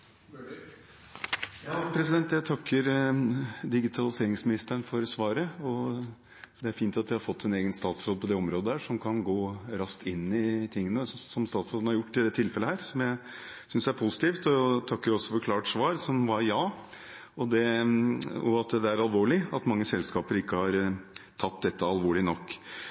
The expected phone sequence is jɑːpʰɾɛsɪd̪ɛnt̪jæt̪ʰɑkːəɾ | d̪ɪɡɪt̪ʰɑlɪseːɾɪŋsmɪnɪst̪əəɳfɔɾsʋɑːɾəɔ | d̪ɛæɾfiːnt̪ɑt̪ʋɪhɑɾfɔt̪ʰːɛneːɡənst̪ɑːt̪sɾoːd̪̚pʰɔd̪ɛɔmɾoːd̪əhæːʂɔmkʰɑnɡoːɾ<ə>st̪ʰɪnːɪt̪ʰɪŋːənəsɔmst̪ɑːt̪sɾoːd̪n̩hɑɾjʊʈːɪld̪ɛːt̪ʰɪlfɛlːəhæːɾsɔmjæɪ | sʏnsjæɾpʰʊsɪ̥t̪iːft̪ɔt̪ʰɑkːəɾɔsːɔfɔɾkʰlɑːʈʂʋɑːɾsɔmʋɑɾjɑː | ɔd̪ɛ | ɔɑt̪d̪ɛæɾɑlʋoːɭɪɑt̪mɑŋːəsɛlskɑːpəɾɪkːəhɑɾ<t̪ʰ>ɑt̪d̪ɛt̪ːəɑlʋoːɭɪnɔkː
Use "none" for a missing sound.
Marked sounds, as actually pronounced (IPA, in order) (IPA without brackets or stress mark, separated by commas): ɑ, t̪ʰ